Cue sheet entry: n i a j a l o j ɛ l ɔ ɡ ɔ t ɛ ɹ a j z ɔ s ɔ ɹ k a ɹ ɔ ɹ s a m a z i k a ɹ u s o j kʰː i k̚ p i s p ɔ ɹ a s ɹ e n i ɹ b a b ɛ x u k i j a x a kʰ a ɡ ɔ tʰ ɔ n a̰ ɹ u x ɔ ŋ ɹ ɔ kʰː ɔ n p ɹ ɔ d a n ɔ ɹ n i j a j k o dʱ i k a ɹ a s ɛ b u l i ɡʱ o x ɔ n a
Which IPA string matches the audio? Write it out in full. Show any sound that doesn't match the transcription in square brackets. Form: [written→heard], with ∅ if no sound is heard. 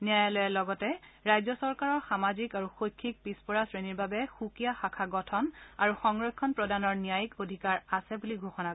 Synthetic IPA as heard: n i a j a l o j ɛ l ɔ ɡ ɔ t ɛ ɹ a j z ɔ s ɔ ɹ k a ɹ ɔ ɹ [s→x] a m a z i k a ɹ u [s→x] o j kʰː i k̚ p i s p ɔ ɹ a s ɹ e n i ɹ b a b ɛ x u k i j a x a kʰ a ɡ ɔ tʰ ɔ n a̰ ɹ u x ɔ ŋ ɹ ɔ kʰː ɔ n p ɹ ɔ d a n ɔ ɹ n i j a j k o dʱ i k a ɹ a s ɛ b u l i ɡʱ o x ɔ n a